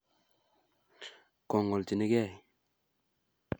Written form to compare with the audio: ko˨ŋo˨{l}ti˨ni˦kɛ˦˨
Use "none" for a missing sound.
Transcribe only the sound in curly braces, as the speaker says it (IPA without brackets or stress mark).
l